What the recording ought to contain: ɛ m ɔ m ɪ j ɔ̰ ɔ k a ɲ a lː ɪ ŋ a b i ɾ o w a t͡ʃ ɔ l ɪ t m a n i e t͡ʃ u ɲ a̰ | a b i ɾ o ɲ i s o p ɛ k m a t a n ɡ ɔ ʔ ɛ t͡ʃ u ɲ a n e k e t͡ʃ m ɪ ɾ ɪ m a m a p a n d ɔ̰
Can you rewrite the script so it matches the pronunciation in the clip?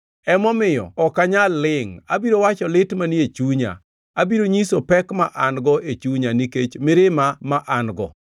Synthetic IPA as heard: ɛ m ɔ m ɪ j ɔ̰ ɔ k a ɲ a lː ɪ ŋ a b i ɾ o w a t͡ʃ ɔ l ɪ t m a n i e t͡ʃ u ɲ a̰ | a b i ɾ o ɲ i s o p ɛ k m a ʔ a n ɡ ɔ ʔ e t͡ʃ u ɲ a n i k e t͡ʃ m ɪ ɾ ɪ m a m a ʔ a n ɡ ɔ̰